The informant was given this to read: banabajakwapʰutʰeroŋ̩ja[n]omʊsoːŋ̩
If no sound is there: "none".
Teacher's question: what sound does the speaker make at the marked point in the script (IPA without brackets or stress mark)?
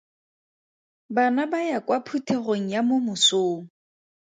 m